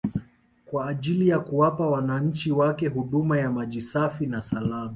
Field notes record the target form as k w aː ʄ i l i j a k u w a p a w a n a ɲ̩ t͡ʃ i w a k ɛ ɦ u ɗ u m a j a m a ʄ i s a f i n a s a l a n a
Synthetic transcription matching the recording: k w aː ʄ i l i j a k u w a p a w a n a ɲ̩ t͡ʃ i w a k ɛ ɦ u ɗ u m a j a m a ʄ i s a f i n a s a l a m a